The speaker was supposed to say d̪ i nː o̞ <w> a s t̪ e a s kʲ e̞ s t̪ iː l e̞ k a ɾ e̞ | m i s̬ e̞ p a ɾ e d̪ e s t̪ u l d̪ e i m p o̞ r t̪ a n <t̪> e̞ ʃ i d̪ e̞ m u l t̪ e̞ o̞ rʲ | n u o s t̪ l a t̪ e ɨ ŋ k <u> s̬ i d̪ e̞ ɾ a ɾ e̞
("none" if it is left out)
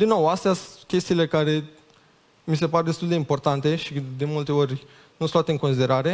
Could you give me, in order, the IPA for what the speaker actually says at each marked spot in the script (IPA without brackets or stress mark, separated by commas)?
w, t̪, o